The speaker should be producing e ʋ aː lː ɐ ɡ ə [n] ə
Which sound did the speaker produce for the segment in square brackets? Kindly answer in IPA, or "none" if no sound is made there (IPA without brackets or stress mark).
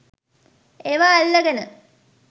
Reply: n